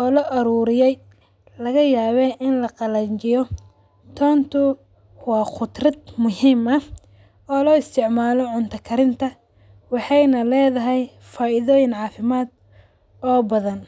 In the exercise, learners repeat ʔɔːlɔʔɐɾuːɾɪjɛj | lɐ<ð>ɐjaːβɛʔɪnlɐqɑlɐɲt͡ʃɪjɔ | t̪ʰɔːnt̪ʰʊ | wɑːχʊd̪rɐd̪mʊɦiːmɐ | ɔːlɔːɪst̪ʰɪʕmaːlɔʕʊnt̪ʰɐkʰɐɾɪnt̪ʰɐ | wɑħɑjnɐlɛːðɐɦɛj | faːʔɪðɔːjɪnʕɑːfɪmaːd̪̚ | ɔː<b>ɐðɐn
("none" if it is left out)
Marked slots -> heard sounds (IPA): ɣ, b

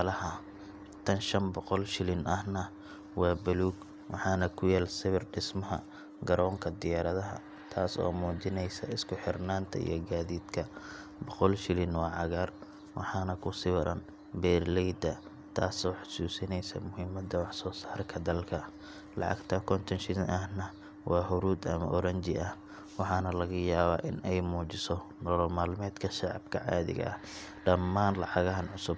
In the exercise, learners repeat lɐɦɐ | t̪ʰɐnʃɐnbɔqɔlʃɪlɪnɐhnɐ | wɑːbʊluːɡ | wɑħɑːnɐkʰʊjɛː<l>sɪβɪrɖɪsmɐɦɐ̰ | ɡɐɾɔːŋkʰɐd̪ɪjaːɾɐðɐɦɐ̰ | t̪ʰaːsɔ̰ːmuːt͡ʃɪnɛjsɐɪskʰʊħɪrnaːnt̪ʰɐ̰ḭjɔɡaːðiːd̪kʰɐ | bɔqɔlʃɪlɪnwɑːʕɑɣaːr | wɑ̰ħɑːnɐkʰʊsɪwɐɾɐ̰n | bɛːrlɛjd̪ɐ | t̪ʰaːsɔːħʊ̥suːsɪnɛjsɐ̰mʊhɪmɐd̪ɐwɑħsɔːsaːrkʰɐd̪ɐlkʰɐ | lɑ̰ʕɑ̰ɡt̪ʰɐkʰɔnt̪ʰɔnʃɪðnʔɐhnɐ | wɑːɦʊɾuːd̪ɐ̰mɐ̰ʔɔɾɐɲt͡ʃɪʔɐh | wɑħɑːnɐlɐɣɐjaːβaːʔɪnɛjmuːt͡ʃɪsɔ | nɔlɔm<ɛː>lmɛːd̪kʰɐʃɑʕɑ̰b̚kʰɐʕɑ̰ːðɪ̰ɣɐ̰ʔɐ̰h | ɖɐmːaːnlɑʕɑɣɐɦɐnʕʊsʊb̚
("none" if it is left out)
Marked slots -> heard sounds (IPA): l, aː

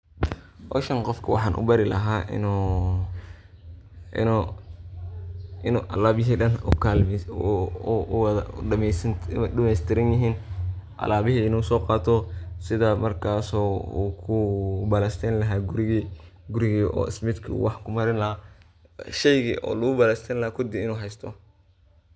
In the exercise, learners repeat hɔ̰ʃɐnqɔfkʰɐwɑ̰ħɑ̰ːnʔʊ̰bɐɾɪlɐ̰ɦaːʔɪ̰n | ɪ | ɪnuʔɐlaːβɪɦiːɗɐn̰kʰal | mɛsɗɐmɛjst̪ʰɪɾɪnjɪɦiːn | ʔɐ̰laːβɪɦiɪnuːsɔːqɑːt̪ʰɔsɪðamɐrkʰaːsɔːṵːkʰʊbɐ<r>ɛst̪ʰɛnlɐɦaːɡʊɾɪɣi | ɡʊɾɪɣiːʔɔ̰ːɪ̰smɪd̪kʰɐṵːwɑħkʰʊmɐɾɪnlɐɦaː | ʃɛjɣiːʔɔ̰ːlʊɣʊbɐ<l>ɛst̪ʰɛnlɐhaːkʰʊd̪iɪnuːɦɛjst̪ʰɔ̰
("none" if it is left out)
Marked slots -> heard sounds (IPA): l, l

